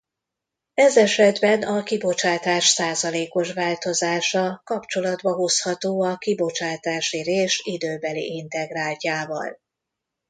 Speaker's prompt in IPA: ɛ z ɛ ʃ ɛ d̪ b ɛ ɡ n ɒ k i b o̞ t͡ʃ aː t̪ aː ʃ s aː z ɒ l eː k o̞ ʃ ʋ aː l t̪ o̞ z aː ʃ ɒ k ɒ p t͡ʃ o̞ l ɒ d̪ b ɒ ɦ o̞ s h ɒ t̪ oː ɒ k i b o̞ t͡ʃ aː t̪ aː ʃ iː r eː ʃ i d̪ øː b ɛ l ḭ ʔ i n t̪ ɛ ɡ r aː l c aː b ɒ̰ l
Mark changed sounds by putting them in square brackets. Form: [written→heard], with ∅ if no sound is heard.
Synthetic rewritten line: ɛ z ɛ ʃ ɛ d̪ b ɛ [ɡ→∅] n ɒ k i b o̞ t͡ʃ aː t̪ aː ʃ s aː z ɒ l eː k o̞ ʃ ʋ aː l t̪ o̞ z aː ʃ ɒ k ɒ p t͡ʃ o̞ l ɒ d̪ b ɒ ɦ o̞ s h ɒ t̪ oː ɒ k i b o̞ t͡ʃ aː t̪ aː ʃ [iː→i] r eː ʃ i d̪ øː b ɛ l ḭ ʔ i n t̪ ɛ ɡ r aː l c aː [b→v] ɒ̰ l

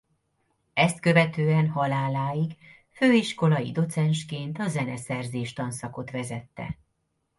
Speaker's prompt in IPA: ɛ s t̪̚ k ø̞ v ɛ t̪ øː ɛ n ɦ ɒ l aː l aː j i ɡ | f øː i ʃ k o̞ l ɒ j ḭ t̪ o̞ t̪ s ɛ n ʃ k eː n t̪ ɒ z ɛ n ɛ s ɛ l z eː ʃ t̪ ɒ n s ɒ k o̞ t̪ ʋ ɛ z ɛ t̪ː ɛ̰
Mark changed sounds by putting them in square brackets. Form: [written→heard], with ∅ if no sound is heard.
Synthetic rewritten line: ɛ s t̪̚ k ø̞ v ɛ t̪ øː ɛ n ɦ ɒ l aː l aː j i ɡ | f øː i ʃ k o̞ l ɒ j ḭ [t̪→d̪] o̞ t̪ s ɛ n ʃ k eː n t̪ ɒ z ɛ n ɛ s ɛ [l→r] z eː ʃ t̪ ɒ n s ɒ k o̞ t̪ ʋ ɛ z ɛ t̪ː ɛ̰

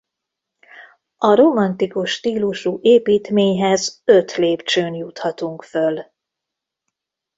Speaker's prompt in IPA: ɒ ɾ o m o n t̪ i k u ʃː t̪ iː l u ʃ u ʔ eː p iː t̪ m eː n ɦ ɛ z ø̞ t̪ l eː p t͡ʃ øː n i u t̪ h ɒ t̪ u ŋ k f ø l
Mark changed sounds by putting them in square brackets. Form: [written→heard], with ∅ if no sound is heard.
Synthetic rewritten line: ɒ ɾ o m [o→ɒ] n t̪ i k u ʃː t̪ iː l u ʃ u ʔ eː p iː t̪ m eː [n→ɲ] ɦ ɛ z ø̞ t̪ l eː p t͡ʃ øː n [i→j] u t̪ h ɒ t̪ u ŋ k f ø l

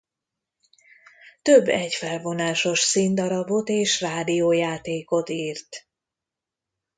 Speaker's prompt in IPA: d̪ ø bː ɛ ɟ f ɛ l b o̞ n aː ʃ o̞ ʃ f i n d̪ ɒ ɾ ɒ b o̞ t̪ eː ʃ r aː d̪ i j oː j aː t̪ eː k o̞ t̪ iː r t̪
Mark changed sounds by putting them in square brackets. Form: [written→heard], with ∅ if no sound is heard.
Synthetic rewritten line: [d̪→t̪] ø bː ɛ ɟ f ɛ l [b→v] o̞ n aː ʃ o̞ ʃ [f→s] i n d̪ ɒ ɾ ɒ b o̞ t̪ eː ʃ r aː d̪ i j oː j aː t̪ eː k o̞ t̪ iː r t̪

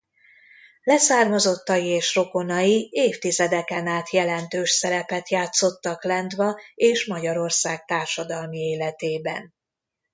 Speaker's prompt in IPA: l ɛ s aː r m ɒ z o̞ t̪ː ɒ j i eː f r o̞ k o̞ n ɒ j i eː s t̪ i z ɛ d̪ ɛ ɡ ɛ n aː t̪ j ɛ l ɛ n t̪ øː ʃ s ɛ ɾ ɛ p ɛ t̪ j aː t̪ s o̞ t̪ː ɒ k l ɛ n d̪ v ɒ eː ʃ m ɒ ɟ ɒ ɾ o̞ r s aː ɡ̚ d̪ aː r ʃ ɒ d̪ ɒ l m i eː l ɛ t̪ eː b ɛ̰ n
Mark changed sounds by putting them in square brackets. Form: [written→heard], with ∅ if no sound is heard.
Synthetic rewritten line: l ɛ s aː r m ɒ z o̞ t̪ː ɒ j i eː [f→ʃ] r o̞ k o̞ n ɒ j i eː [s→f] t̪ i z ɛ d̪ ɛ [ɡ→k] ɛ n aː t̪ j ɛ l ɛ n t̪ øː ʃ s ɛ ɾ ɛ p ɛ t̪ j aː t̪ s o̞ t̪ː ɒ k l ɛ n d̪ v ɒ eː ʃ m ɒ ɟ ɒ ɾ o̞ r s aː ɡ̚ [d̪→t̪] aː r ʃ ɒ d̪ ɒ l m i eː l ɛ t̪ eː b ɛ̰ n

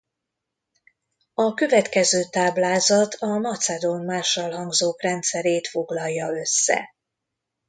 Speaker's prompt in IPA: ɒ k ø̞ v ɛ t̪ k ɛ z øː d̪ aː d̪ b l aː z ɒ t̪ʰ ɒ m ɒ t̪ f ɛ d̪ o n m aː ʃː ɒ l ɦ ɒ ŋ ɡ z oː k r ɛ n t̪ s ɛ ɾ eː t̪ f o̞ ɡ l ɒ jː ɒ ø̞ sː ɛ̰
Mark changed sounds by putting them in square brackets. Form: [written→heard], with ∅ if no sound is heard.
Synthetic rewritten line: ɒ k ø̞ v ɛ t̪ k ɛ z øː [d̪→t̪] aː [d̪→∅] b l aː z ɒ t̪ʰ ɒ m ɒ t̪ [f→s] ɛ d̪ o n m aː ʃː ɒ l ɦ ɒ ŋ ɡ z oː k r ɛ n t̪ s ɛ ɾ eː t̪ f o̞ ɡ l ɒ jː ɒ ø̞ sː ɛ̰

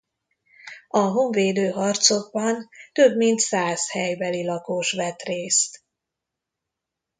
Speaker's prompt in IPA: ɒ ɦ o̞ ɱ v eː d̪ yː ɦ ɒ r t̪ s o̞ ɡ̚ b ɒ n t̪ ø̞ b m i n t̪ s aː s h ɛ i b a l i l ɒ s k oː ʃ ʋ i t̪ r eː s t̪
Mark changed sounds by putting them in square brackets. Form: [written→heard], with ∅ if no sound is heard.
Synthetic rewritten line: ɒ ɦ o̞ ɱ v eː d̪ [yː→øː] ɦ ɒ r t̪ s o̞ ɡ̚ b ɒ n t̪ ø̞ b m i n t̪ s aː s h ɛ [i→j] b [a→ɛ] l i l ɒ [s→∅] k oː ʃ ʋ [i→ɛ] t̪ r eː s t̪

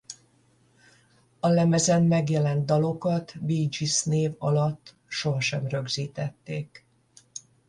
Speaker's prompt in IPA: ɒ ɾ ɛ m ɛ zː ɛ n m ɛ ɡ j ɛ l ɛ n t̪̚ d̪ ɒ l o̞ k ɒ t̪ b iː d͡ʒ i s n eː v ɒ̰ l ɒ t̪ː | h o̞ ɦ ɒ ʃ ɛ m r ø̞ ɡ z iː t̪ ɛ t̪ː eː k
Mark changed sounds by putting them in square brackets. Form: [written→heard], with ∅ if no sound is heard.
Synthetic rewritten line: ɒ [ɾ→l] ɛ m ɛ [zː→z] ɛ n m ɛ ɡ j ɛ l ɛ n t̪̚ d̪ ɒ l o̞ k ɒ t̪ b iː d͡ʒ i s n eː v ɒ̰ l ɒ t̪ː | [h→ʃ] o̞ ɦ ɒ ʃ ɛ m r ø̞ ɡ z iː t̪ ɛ t̪ː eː k

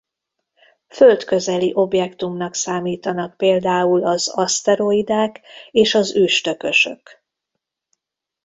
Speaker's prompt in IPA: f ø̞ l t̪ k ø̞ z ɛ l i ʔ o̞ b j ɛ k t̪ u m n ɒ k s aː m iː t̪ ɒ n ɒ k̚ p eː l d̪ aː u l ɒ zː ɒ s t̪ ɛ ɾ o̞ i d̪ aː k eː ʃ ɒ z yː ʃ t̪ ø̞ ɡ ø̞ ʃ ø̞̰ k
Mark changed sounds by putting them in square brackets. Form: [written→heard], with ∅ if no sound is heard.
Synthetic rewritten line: f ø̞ l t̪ k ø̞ z ɛ l i ʔ o̞ b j ɛ k t̪ u m n ɒ k s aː m iː t̪ ɒ n ɒ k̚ p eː l d̪ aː u l ɒ [zː→z] ɒ s t̪ ɛ ɾ o̞ i d̪ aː k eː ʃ ɒ z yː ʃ t̪ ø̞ [ɡ→k] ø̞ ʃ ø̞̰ k

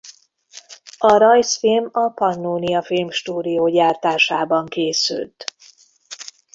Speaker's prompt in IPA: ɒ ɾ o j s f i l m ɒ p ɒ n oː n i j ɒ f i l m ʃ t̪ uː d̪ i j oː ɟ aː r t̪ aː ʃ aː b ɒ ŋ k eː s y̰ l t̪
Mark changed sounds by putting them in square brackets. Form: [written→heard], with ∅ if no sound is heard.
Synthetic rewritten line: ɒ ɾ [o→ɒ] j s f i l m ɒ p ɒ [n→nː] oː n i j ɒ f i l m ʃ t̪ uː d̪ i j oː ɟ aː r t̪ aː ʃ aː b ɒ ŋ k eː s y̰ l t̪

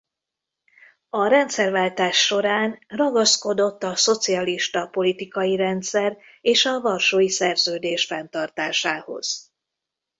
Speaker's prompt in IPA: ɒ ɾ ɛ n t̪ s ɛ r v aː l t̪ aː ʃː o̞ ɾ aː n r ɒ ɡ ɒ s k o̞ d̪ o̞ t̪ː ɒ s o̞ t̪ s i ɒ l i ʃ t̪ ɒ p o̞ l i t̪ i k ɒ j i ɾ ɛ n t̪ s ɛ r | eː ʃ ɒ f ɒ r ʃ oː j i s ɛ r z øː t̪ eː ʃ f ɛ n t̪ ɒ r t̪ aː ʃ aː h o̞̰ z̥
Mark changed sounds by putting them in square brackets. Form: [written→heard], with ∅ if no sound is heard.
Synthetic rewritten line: ɒ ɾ ɛ n t̪ s ɛ r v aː l t̪ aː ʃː o̞ ɾ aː n r ɒ ɡ ɒ s k o̞ d̪ o̞ t̪ː ɒ s o̞ t̪ s i ɒ l i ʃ t̪ ɒ p o̞ l i t̪ i k ɒ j i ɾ ɛ n t̪ s ɛ r | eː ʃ ɒ [f→v] ɒ r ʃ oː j i s ɛ r z øː [t̪→d̪] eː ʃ f ɛ n t̪ ɒ r t̪ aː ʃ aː h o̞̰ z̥

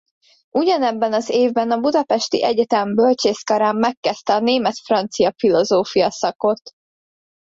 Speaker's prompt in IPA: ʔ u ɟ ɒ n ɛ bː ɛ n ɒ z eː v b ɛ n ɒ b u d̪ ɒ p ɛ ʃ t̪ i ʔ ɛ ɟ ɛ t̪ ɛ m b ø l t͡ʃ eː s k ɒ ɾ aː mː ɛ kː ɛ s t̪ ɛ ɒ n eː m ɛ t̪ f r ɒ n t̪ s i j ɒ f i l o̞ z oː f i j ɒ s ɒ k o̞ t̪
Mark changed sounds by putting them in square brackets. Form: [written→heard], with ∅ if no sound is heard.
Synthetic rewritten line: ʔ u ɟ ɒ n ɛ bː ɛ n ɒ z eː v b ɛ n ɒ b u d̪ ɒ p ɛ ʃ t̪ i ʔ ɛ ɟ ɛ t̪ ɛ m b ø l t͡ʃ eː s k ɒ ɾ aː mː ɛ kː ɛ s t̪ ɛ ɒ n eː m ɛ t̪ f r ɒ n t̪ s i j ɒ f i l o̞ z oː f i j ɒ s ɒ k o̞ t̪

